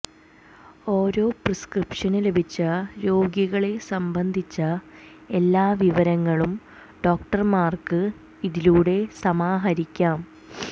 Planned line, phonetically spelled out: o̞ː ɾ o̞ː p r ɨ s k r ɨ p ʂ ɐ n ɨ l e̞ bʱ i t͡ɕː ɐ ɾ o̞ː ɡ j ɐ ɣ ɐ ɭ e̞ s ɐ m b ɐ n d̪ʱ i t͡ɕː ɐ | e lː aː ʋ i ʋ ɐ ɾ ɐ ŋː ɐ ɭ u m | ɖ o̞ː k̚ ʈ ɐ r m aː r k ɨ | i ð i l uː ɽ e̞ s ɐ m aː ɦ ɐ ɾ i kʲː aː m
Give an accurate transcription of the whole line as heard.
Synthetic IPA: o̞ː ɾ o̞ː p r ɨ s k r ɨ p ʂ ɐ n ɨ l e̞ bʱ i t͡ɕː ɐ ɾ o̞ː ɡ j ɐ ɣ ɐ ɭ e̞ s ɐ m b ɐ n d̪ʱ i t͡ɕː ɐ | e lː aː ʋ i ʋ ɐ ɾ ɐ ŋː ɐ ɭ u m | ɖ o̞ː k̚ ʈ ɐ r m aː r k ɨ | i ð i l uː ɽ e̞ s ɐ m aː ɦ ɐ ɾ i kʲː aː m